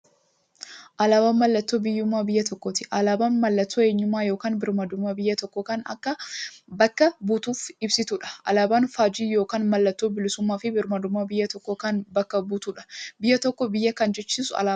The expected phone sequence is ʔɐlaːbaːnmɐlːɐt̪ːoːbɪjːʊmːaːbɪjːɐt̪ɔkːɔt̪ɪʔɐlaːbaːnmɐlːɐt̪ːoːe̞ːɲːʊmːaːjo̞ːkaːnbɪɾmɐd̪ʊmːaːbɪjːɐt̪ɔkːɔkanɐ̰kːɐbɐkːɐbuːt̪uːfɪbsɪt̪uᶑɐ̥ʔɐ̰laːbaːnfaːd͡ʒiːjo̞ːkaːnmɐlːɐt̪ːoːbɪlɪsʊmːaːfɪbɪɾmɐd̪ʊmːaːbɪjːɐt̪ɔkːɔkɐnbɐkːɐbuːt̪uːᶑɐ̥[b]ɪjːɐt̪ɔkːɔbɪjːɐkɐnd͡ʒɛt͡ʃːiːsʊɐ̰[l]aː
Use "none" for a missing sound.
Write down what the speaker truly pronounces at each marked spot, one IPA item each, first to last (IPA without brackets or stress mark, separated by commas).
b, l